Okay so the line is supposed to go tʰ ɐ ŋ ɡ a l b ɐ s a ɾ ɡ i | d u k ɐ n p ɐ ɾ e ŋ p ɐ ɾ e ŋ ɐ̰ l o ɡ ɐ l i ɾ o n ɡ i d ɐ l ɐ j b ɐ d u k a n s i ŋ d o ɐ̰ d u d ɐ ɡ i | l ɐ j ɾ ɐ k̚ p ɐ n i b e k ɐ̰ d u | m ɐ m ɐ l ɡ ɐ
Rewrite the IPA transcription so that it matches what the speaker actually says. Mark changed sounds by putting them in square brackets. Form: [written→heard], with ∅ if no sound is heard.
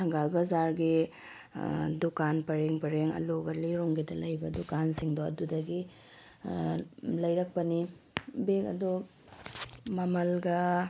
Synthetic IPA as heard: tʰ ɐ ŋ ɡ a l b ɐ [s→z] a ɾ ɡ i | d u k [ɐ→a] n p ɐ ɾ e ŋ p ɐ ɾ e ŋ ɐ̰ l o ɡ ɐ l i ɾ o [n→ŋ] ɡ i d ɐ l ɐ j b ɐ d u k a n s i ŋ d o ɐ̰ d u d ɐ ɡ i | l ɐ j ɾ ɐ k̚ p ɐ n i b e k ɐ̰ d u | m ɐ m ɐ l ɡ ɐ